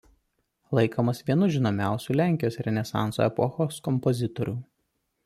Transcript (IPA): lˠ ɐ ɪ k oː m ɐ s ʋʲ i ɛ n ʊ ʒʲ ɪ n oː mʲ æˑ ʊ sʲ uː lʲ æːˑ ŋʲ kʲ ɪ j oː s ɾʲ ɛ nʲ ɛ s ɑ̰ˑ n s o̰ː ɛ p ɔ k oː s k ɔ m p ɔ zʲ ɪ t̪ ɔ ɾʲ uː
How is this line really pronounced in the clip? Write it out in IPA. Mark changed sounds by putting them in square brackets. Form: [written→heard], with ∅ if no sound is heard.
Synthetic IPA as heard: lˠ ɐ ɪ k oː m ɐ s ʋʲ i ɛ n ʊ ʒʲ ɪ n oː mʲ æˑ ʊ sʲ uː lʲ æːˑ ŋʲ kʲ ɪ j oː s ɾʲ ɛ nʲ ɛ s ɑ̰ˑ n s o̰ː ɛ p ɔ [k→x] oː s k ɔ m p ɔ zʲ ɪ t̪ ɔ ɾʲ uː